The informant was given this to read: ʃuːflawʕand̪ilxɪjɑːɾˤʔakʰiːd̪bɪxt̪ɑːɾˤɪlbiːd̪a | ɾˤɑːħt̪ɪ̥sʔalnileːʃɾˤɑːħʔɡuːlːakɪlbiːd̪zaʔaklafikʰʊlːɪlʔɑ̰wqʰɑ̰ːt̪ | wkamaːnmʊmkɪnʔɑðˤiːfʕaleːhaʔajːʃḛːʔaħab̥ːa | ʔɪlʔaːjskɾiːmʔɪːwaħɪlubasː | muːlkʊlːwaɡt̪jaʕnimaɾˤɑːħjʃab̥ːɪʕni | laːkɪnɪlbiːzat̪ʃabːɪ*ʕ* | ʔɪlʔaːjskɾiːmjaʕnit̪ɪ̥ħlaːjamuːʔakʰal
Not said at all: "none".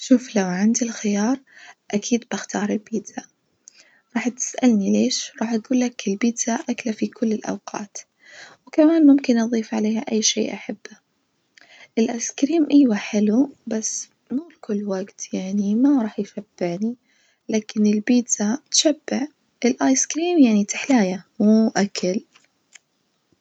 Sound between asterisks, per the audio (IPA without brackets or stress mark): ʕ